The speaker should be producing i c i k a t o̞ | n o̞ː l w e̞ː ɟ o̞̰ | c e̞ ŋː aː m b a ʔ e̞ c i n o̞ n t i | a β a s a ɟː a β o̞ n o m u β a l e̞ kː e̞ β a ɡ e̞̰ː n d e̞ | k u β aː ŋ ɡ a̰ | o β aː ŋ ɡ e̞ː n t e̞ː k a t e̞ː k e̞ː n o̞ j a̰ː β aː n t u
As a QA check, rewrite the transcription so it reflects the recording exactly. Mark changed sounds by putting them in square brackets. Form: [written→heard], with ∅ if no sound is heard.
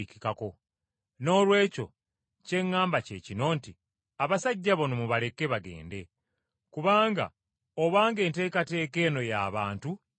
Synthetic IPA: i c i k a [t→k] o̞ | n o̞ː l w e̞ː [ɟ→c] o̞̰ | c e̞ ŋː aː m b a [ʔ→c] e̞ c i n o̞ n t i | a β a s a ɟː a β o̞ n o m u β a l e̞ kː e̞ β a ɡ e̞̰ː n d e̞ | k u β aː ŋ ɡ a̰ | o β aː ŋ ɡ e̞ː n t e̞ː k a t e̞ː k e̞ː n o̞ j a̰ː β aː n t u